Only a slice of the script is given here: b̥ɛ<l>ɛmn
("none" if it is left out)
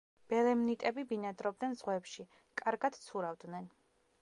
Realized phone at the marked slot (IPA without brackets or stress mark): l